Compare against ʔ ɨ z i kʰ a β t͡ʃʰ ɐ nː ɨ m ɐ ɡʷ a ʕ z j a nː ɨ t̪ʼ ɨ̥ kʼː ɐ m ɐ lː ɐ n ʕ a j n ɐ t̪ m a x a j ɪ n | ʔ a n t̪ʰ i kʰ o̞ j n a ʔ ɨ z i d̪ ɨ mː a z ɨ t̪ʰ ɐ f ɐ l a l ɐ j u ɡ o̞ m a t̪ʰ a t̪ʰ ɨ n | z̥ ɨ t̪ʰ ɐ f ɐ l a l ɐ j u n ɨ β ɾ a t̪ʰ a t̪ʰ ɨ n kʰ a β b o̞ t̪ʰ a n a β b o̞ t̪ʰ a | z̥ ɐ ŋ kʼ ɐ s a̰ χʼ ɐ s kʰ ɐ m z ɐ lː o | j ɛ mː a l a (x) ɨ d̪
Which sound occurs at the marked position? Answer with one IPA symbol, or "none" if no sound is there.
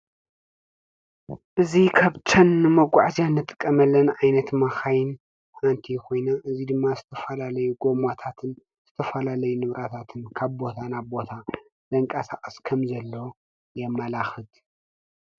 x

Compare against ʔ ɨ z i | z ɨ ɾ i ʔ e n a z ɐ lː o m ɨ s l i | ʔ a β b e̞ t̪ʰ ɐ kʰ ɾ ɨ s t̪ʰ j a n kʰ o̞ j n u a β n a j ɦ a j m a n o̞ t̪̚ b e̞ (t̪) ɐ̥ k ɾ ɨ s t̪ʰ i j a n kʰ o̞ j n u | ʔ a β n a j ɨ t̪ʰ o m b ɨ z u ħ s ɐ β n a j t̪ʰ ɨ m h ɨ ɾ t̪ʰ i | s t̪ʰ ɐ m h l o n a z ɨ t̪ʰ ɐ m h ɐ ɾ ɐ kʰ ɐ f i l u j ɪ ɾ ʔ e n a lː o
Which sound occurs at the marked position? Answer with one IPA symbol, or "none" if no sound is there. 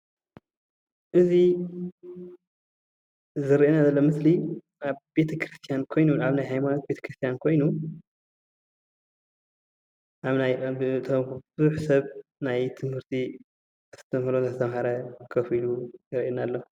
t̪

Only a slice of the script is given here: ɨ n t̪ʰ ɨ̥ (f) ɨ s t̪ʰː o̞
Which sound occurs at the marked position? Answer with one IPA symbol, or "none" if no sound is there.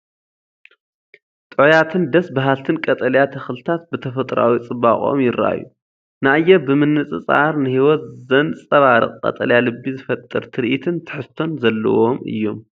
ħ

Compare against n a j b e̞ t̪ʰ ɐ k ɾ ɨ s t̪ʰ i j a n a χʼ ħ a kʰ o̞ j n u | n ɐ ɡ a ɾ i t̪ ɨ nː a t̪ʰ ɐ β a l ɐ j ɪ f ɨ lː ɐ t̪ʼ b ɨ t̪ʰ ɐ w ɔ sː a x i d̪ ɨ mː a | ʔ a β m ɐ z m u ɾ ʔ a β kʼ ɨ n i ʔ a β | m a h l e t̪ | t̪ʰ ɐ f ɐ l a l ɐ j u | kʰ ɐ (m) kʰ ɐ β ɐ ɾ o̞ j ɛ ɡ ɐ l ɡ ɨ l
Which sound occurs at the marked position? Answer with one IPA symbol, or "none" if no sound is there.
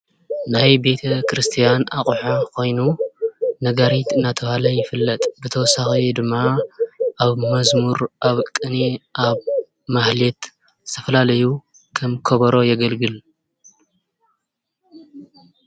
m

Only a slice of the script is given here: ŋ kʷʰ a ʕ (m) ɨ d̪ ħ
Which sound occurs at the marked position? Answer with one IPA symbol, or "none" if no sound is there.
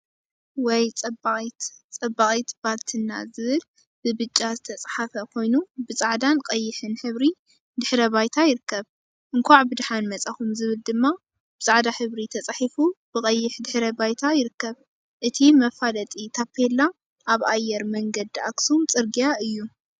b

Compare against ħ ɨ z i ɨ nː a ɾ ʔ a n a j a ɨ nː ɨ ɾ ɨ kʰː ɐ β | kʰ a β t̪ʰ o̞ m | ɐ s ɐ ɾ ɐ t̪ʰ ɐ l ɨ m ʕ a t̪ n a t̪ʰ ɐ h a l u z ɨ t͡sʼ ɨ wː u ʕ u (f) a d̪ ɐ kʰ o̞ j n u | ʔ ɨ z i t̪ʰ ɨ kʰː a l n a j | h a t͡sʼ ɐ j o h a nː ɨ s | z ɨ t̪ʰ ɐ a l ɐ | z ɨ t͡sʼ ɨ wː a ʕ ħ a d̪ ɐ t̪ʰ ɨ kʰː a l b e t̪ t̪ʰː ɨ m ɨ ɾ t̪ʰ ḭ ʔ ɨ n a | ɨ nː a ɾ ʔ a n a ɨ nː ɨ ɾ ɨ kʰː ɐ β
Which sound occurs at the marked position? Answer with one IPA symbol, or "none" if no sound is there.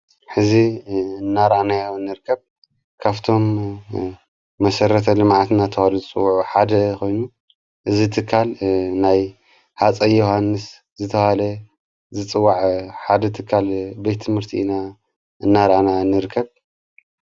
ħ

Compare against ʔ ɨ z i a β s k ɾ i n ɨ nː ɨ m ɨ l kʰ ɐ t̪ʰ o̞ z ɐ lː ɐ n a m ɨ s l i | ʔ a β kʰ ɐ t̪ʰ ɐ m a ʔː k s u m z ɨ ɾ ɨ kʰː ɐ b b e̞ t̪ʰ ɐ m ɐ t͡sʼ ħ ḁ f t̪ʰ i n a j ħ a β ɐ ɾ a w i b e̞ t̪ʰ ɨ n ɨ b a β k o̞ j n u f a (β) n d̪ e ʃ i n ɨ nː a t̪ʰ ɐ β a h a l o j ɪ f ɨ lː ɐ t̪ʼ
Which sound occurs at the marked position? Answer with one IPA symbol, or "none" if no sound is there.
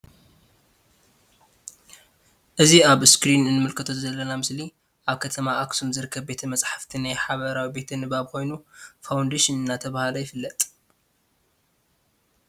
w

